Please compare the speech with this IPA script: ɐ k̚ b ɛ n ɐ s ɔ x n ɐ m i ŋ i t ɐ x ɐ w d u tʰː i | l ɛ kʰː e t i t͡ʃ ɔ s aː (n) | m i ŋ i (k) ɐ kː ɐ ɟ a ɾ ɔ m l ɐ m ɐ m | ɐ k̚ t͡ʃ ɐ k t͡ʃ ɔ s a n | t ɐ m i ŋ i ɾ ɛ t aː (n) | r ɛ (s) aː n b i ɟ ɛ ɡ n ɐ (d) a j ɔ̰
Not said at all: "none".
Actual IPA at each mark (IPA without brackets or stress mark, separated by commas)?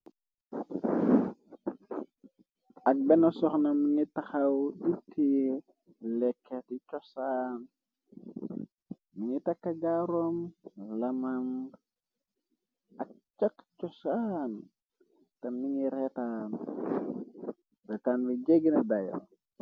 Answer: n, t, n, t, d